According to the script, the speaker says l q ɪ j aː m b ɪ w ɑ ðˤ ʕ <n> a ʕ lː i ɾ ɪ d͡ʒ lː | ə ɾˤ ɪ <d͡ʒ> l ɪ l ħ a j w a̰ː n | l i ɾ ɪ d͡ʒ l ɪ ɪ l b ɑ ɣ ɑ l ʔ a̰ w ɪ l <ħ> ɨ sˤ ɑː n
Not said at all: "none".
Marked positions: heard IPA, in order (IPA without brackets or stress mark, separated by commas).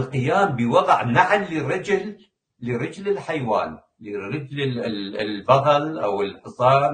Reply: n, d͡ʒ, ħ